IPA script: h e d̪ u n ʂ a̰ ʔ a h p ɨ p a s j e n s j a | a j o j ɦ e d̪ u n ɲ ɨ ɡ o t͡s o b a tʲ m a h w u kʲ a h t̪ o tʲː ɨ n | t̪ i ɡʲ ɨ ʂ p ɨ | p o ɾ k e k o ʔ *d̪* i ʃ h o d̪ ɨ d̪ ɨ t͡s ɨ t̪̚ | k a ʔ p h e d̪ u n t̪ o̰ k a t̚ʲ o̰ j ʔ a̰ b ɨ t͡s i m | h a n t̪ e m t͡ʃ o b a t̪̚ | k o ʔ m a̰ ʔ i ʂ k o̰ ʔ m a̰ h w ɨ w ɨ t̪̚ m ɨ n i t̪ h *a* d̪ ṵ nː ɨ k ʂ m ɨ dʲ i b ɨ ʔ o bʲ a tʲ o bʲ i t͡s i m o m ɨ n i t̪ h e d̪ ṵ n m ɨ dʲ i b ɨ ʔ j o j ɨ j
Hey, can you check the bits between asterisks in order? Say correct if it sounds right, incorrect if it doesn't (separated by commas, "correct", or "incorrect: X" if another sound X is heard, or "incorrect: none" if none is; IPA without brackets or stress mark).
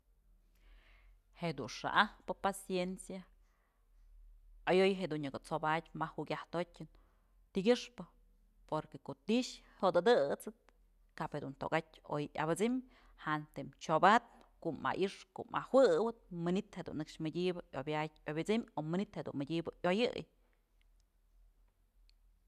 incorrect: t̪, incorrect: e